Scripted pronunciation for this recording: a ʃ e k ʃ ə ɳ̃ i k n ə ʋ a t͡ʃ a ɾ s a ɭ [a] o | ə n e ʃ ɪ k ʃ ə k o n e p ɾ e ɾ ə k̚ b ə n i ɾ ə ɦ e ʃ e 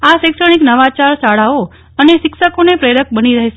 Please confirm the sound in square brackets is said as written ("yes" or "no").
yes